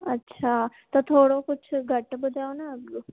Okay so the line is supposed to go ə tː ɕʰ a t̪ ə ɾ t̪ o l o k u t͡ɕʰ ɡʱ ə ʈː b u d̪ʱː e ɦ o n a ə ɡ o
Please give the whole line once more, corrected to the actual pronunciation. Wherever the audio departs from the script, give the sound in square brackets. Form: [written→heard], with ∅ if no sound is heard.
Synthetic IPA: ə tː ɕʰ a t̪ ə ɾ [t̪→t̪ʰ] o [l→ɽ] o k u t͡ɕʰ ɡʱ ə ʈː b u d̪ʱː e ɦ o n a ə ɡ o

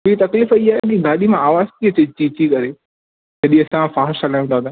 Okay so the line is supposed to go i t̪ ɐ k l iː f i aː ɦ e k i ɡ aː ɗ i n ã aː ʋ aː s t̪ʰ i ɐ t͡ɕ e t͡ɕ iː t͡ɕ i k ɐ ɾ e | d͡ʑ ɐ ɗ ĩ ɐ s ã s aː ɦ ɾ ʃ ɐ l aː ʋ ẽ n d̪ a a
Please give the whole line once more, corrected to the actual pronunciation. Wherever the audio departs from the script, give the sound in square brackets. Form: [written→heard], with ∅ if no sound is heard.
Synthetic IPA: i t̪ ɐ k l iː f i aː ɦ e k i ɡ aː ɗ i [n→m] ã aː ʋ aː [s→z] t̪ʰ i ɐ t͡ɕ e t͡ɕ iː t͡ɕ i k ɐ ɾ e | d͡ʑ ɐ ɗ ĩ ɐ s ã [s→f] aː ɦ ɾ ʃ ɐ l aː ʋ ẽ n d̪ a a

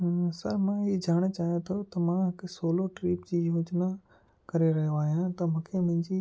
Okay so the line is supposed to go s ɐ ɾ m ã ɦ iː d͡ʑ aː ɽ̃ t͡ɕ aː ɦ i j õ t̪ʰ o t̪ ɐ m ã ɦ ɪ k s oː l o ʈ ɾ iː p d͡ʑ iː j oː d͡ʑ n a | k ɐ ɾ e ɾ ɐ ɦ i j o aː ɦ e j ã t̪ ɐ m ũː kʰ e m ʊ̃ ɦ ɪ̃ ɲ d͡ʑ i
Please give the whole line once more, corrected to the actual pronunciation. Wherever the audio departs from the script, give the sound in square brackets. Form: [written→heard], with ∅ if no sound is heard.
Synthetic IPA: s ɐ ɾ m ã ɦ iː d͡ʑ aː ɽ̃ t͡ɕ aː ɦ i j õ t̪ʰ o t̪ ɐ m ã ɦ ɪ k s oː l o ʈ ɾ iː p d͡ʑ iː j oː d͡ʑ n a | k ɐ ɾ e ɾ ɐ ɦ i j o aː ɦ [e→i] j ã t̪ ɐ m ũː kʰ e m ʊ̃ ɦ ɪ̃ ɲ d͡ʑ i

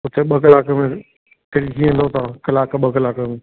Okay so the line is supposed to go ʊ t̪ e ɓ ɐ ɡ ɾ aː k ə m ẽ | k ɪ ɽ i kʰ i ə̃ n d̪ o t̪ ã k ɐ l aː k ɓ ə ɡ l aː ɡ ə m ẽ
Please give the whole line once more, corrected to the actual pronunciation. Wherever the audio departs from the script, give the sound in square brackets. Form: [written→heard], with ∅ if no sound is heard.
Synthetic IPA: ʊ t̪ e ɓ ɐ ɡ [ɾ→l] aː k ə m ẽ | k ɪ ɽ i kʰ i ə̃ n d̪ o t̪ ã k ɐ l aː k ɓ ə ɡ l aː [ɡ→k] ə m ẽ

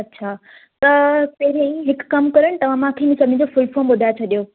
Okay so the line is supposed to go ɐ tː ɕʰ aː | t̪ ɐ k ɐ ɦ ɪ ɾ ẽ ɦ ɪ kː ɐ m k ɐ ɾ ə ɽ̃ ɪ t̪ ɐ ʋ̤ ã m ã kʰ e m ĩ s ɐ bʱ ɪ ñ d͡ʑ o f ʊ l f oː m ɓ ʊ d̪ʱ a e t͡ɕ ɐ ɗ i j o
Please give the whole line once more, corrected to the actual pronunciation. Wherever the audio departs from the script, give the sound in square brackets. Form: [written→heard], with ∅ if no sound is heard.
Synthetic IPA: ɐ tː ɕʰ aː | t̪ ɐ [k→p] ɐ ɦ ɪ ɾ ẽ ɦ ɪ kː ɐ m k ɐ ɾ ə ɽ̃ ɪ t̪ ɐ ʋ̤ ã m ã kʰ e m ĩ s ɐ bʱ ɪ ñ d͡ʑ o f ʊ l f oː m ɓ ʊ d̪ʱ a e [t͡ɕ→t͡ɕʰ] ɐ ɗ i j o

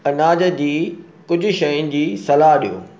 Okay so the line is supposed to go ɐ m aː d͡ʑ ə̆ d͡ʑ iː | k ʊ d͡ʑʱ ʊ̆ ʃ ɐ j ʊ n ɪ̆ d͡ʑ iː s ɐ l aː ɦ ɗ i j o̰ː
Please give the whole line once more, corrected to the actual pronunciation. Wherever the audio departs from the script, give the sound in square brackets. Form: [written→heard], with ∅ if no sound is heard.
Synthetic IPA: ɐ [m→n] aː d͡ʑ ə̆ d͡ʑ iː | k ʊ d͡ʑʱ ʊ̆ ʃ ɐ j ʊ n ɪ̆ d͡ʑ iː s ɐ l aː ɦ ɗ i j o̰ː

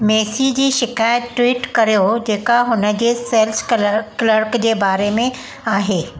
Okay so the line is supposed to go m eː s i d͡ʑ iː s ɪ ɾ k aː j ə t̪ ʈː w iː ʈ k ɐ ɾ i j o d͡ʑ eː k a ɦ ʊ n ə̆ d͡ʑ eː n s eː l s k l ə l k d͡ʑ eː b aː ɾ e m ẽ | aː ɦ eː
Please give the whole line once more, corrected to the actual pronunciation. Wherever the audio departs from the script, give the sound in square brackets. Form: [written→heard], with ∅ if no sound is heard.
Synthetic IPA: m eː s i d͡ʑ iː [s→ʃ] ɪ [ɾ→∅] k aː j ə t̪ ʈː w iː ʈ k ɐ ɾ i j o d͡ʑ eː k a ɦ ʊ n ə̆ d͡ʑ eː [n→∅] s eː l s k l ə [l→ɾ] k d͡ʑ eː b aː ɾ e m ẽ | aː ɦ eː

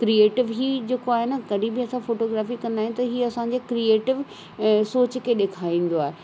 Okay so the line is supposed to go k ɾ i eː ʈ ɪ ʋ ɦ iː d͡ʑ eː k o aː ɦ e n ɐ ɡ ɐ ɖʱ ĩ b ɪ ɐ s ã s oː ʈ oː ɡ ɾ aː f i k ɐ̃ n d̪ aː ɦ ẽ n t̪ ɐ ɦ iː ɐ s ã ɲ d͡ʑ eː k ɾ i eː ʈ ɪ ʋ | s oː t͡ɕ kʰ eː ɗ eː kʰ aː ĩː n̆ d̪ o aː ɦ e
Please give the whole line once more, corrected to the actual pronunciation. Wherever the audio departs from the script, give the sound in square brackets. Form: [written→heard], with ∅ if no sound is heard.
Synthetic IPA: k ɾ i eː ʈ ɪ ʋ ɦ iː d͡ʑ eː k o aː ɦ e n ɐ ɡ ɐ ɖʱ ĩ b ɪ ɐ s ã [s→f] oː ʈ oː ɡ ɾ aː f i k ɐ̃ n d̪ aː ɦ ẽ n t̪ ɐ ɦ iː ɐ s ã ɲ d͡ʑ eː k ɾ i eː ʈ ɪ ʋ | s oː t͡ɕ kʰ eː ɗ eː kʰ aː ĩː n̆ d̪ o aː ɦ e

